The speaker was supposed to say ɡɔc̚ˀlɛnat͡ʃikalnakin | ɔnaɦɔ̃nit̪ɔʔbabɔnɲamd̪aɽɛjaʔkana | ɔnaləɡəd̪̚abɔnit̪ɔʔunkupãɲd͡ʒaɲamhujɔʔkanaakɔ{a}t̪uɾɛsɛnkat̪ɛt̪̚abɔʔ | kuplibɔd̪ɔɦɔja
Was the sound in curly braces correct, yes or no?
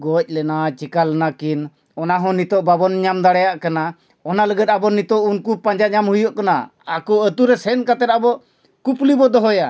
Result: no